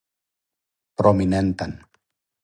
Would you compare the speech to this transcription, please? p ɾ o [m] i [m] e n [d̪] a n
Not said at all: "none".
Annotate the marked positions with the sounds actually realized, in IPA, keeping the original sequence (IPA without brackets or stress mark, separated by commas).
m, n, t̪